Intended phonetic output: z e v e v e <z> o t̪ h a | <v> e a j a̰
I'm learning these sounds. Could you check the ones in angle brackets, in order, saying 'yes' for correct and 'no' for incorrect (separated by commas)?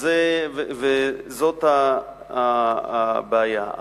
yes, no